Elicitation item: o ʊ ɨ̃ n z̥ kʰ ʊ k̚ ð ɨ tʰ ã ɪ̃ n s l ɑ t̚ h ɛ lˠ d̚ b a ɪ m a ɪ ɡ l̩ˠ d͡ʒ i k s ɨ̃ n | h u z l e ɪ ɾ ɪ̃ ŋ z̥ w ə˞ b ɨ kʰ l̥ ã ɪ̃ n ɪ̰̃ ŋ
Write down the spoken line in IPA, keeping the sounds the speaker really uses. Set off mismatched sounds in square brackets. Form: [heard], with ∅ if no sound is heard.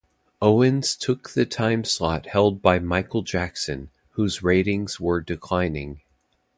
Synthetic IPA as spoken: o ʊ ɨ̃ n z̥ [tʰ] ʊ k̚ ð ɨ tʰ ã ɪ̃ [m] s l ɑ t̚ h ɛ lˠ d̚ b a ɪ m a ɪ [k] l̩ˠ d͡ʒ [æ] k s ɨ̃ n | h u z [ɹ] e ɪ ɾ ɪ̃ ŋ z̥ w ə˞ [d] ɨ kʰ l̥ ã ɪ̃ n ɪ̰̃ ŋ